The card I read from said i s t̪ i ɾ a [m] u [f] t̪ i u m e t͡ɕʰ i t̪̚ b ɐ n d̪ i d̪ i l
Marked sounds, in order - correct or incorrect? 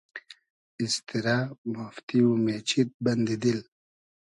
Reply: correct, correct

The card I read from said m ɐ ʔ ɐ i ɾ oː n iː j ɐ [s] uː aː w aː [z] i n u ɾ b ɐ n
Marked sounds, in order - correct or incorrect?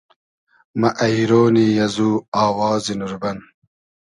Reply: incorrect: z, correct

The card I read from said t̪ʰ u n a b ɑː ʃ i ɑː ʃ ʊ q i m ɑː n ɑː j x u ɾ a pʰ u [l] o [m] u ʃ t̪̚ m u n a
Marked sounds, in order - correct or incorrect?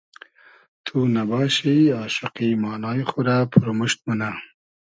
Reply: incorrect: ɾ, correct

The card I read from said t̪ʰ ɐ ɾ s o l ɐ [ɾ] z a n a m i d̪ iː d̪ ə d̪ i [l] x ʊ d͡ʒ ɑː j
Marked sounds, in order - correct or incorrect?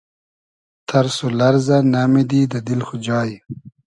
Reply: correct, correct

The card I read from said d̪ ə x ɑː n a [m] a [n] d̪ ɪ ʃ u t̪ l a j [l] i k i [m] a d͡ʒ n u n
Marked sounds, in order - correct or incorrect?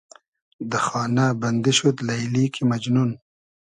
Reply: incorrect: b, correct, correct, correct

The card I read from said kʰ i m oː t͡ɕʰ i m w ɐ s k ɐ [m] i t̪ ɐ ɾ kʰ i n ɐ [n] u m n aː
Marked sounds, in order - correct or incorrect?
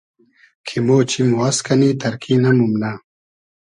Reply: incorrect: n, incorrect: m

